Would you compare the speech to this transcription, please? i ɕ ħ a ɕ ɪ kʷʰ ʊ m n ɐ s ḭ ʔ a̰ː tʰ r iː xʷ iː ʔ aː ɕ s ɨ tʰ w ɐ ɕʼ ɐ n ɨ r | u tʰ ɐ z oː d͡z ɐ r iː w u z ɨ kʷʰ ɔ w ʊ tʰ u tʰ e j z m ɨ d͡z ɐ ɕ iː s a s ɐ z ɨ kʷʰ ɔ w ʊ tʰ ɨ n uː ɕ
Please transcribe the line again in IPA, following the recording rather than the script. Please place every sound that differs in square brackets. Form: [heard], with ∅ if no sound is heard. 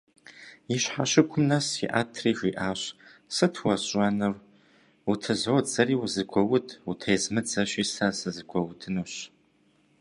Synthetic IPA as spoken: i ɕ ħ a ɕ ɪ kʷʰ ʊ m n ɐ s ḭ ʔ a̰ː tʰ r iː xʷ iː ʔ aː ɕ s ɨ tʰ w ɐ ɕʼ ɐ n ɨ r | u tʰ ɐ z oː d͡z ɐ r iː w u z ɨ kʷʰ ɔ w ʊ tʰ u tʰ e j z m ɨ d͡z ɐ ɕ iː s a s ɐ z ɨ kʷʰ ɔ w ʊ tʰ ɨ n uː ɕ